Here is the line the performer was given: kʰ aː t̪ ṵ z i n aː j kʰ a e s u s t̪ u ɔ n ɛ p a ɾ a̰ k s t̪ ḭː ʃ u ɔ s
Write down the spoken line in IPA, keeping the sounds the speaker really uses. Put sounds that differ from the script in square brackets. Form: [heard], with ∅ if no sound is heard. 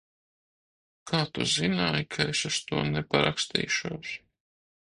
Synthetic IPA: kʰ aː t̪ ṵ z i n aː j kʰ a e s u s t̪ u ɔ n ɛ p a ɾ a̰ k s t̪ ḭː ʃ u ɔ s